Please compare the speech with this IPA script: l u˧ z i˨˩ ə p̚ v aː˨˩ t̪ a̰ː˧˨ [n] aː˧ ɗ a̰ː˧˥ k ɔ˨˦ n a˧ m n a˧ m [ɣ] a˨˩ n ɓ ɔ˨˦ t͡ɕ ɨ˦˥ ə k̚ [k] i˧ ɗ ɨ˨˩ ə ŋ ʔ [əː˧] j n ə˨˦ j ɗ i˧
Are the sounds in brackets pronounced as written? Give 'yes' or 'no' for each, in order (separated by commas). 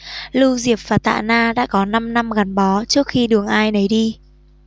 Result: yes, yes, no, no